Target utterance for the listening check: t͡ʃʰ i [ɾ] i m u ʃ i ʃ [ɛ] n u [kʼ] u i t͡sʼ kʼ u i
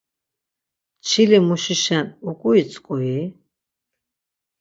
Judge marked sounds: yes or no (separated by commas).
no, no, yes